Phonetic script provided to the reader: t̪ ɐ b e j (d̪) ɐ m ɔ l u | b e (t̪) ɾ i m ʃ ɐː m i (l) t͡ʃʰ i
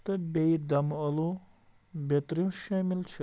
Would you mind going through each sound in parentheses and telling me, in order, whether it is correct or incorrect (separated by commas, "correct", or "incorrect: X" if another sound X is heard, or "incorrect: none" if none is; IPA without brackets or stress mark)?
correct, correct, correct